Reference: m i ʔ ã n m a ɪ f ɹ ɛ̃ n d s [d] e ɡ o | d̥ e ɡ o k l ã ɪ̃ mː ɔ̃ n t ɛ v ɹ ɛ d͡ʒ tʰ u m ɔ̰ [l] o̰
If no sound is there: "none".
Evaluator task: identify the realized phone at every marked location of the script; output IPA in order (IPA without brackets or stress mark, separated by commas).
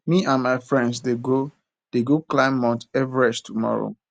d, ɹ